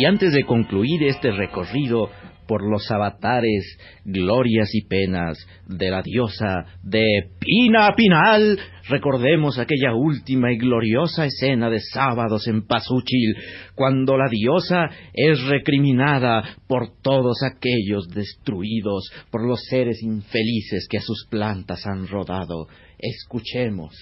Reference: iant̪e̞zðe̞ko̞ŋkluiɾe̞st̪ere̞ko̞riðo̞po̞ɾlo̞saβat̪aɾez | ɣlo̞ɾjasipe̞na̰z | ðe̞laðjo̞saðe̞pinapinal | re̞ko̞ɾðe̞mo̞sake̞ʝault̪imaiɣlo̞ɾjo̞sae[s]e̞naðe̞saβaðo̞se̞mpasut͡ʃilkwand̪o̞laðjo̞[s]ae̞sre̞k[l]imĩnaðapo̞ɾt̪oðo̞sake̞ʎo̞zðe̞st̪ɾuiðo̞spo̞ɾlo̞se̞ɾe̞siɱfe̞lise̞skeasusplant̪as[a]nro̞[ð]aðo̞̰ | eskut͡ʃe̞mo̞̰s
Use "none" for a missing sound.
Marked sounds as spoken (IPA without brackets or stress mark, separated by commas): s, s, ɾ, a, ð